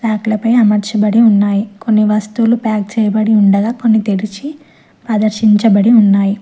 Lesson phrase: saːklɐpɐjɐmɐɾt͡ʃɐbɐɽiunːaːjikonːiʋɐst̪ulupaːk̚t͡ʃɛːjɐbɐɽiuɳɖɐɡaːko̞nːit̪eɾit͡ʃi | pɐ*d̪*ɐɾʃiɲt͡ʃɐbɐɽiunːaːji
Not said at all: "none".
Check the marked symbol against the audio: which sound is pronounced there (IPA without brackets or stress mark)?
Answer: d̪